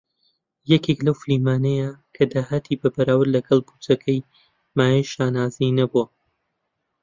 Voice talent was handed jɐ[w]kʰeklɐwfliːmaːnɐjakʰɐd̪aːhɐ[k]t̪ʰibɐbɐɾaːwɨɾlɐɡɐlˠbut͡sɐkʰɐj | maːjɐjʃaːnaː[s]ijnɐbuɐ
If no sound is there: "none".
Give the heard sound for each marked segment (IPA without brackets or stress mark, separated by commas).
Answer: none, none, z